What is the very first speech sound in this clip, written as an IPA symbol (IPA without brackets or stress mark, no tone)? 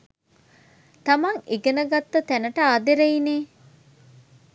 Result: t̪